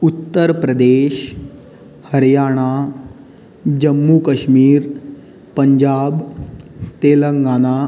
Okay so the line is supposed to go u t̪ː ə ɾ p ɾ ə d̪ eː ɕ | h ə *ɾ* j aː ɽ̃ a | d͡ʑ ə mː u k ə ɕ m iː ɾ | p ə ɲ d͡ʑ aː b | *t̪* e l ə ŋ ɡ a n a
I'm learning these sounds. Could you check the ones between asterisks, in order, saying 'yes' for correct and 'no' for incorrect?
yes, yes

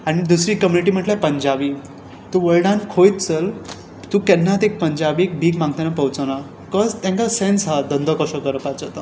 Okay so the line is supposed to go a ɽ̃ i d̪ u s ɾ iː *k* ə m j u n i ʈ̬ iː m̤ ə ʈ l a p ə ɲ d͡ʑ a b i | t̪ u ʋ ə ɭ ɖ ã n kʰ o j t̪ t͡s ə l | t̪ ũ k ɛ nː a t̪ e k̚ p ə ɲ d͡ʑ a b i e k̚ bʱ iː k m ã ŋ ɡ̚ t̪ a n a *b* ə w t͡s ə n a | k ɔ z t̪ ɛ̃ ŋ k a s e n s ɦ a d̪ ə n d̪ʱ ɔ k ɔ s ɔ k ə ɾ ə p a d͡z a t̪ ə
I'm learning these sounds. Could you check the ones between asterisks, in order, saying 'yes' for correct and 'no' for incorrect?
yes, no

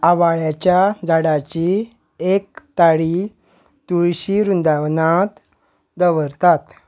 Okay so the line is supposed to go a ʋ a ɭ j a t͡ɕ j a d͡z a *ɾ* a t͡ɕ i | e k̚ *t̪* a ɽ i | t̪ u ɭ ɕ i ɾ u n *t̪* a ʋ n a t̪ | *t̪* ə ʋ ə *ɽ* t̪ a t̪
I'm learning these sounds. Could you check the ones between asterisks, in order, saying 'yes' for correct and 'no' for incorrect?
no, yes, no, no, no

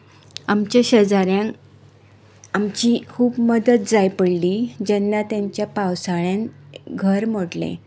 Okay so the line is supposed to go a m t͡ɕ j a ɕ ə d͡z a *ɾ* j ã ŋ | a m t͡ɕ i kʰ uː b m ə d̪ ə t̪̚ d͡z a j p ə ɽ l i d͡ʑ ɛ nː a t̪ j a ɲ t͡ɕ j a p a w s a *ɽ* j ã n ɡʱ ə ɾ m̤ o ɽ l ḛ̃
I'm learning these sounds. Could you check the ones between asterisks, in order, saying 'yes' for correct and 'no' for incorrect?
yes, no

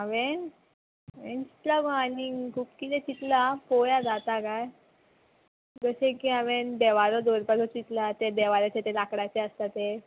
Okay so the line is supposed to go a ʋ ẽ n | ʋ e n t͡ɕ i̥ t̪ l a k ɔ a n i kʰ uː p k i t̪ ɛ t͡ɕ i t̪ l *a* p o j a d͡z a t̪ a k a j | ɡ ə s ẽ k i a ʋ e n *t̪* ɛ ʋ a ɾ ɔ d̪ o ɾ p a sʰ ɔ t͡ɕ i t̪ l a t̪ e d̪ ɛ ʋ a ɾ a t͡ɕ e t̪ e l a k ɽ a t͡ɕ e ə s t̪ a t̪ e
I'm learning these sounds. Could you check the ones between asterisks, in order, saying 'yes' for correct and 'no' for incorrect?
yes, no

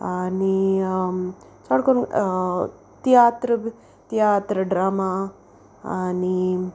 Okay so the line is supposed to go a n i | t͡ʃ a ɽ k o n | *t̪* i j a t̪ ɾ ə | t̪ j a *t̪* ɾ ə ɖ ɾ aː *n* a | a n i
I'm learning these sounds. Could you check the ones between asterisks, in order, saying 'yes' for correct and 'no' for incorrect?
yes, yes, no

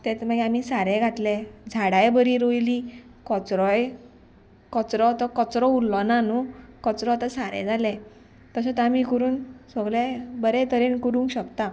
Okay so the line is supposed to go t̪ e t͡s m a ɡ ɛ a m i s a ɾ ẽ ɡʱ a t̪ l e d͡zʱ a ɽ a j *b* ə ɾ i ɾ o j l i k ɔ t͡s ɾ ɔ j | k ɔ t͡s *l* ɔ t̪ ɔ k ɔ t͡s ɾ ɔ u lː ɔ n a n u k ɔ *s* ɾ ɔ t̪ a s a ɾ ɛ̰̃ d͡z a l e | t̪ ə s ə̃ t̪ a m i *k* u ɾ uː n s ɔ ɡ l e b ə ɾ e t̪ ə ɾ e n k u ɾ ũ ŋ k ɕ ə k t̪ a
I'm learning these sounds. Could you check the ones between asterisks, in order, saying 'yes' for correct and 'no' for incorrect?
yes, no, no, yes

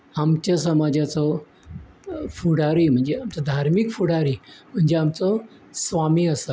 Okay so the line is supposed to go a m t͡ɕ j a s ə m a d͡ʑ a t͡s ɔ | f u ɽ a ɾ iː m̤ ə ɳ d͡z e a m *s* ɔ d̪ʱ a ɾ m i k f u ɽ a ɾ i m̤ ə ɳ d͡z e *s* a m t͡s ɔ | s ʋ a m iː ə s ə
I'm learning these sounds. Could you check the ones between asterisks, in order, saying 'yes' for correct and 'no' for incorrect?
no, no

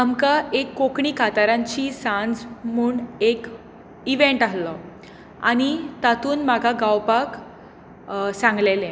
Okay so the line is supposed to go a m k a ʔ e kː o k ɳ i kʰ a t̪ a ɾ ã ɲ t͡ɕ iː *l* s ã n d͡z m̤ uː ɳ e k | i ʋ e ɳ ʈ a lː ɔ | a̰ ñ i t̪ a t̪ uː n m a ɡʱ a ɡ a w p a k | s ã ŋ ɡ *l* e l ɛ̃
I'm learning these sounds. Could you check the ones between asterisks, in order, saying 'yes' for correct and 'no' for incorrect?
no, yes

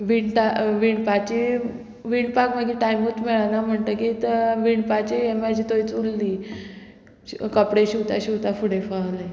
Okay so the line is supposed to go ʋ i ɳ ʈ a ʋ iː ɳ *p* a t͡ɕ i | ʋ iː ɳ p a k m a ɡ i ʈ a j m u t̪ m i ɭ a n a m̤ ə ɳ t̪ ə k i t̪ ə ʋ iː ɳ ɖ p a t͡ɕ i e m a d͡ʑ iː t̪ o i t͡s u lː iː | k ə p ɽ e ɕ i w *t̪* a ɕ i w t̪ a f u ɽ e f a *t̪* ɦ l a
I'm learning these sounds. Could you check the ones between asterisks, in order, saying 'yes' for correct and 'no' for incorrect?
yes, yes, no

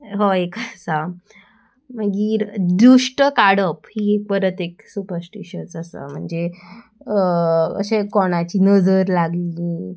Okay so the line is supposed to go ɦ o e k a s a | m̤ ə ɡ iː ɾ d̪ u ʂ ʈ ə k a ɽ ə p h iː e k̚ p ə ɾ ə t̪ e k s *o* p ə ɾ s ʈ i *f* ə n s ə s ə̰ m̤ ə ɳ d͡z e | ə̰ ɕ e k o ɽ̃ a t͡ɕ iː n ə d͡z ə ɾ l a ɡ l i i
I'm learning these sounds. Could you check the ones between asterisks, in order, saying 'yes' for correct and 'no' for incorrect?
no, no

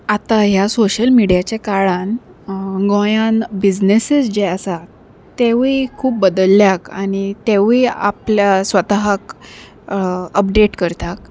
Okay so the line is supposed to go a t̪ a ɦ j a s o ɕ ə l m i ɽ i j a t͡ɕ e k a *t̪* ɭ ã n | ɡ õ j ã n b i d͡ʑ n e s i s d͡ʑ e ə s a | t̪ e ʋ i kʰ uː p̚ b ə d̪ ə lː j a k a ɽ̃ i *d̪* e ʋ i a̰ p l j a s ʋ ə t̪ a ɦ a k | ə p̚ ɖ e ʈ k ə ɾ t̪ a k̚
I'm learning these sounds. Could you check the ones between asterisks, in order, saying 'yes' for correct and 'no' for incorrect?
no, no

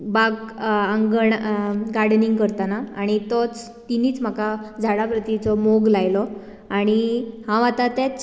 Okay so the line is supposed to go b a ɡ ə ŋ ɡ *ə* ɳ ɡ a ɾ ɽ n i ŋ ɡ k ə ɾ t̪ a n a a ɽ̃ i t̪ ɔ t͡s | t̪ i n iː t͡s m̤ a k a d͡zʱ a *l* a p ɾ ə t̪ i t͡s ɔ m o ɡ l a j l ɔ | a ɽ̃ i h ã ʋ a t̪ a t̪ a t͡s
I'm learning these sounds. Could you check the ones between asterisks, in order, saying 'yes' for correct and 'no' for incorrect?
yes, no

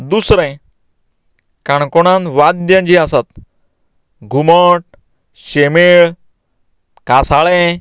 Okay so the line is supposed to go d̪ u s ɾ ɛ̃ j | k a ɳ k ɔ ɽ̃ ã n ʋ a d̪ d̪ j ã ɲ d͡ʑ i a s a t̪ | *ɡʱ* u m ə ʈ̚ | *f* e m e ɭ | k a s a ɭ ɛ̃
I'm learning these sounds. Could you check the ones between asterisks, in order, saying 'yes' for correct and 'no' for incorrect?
yes, no

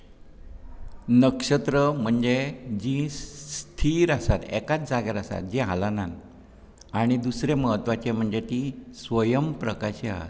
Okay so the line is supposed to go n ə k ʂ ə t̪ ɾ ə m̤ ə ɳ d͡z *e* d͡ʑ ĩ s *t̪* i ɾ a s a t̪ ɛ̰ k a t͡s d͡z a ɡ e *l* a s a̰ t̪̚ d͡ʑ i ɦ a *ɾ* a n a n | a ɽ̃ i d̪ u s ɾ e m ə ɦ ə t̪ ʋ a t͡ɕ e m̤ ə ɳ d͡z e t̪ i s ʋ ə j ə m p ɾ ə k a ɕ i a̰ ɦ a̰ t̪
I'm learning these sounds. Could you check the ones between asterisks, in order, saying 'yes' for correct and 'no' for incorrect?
yes, no, no, no

